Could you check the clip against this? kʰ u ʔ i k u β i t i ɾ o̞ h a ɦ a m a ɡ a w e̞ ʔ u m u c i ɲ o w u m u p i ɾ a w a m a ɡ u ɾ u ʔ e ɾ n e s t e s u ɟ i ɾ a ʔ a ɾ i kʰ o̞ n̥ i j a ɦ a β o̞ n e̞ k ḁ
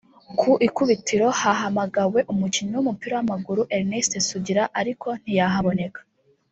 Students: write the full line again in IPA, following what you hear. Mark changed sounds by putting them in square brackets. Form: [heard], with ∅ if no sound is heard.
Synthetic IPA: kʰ u ʔ i k u β i t i ɾ o̞ h a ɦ a m a ɡ a w e̞ ʔ u m u c i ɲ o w u m u p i ɾ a w a m a ɡ u ɾ u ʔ e ɾ n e s t e s u ɟ i ɾ a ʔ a ɾ i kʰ o̞ n̥ i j a ɦ a β o̞ n e̞ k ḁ